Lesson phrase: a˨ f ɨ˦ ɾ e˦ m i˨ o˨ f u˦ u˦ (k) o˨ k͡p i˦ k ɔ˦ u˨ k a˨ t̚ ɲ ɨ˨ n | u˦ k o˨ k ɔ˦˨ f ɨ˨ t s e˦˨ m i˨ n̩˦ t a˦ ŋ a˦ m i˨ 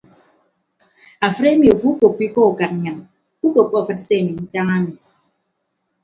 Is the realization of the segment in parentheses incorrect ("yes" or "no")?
no